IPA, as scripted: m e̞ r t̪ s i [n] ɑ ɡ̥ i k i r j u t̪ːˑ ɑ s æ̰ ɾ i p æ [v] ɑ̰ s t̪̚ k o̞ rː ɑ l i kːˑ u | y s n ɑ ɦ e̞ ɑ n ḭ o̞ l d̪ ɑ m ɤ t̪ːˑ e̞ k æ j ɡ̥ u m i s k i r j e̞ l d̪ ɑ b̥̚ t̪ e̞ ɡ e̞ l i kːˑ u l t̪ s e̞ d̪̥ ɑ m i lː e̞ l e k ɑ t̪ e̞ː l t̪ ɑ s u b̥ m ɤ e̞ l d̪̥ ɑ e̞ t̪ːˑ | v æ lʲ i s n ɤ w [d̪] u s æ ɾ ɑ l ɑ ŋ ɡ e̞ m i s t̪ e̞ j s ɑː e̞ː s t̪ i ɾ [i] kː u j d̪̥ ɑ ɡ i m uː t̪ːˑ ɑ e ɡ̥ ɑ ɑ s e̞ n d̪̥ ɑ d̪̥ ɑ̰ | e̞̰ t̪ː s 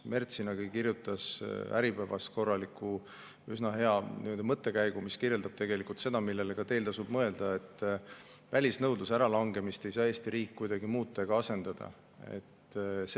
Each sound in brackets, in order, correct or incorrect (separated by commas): correct, correct, correct, incorrect